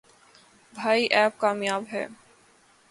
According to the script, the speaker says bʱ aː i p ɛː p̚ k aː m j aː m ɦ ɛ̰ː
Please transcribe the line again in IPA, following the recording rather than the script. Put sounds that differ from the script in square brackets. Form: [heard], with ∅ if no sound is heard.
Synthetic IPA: bʱ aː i [ʔ] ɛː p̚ k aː m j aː [b] ɦ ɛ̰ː